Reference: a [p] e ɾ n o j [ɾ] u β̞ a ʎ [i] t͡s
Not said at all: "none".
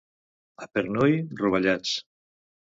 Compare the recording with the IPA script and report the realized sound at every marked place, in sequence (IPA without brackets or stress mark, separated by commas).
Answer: p, r, a